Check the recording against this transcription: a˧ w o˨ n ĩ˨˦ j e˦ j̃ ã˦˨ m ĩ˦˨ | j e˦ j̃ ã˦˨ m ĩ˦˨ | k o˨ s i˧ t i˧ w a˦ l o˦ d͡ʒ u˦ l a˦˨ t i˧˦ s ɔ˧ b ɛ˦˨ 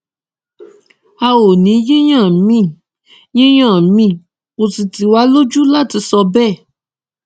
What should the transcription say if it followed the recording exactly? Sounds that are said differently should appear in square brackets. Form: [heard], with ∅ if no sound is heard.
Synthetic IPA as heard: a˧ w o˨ n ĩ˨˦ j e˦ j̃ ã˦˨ m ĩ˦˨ | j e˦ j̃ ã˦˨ m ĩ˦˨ | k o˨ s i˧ t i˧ w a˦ l o˦ d͡ʒ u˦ l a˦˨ t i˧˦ s ɔ˧ b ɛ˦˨